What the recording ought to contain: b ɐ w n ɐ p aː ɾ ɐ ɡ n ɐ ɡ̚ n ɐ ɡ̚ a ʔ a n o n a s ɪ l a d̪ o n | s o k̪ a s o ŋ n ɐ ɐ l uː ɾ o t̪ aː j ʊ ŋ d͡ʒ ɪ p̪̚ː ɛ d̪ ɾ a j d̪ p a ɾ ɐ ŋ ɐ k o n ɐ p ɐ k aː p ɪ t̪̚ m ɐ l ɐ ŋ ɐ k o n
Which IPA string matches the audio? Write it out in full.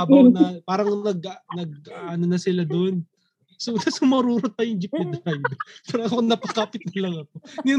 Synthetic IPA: b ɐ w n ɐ p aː ɾ ɐ ŋ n ɐ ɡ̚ n ɐ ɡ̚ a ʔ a n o n ɐ s ɪ l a d̪ o n | s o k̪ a s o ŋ m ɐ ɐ ɾ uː ɾ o t̪ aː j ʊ ŋ d͡ʒ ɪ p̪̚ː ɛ d̪ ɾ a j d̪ p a ɾ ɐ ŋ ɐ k o n ɐ p ɐ k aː p ɪ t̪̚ n ɐ l ɐ ŋ ɐ k o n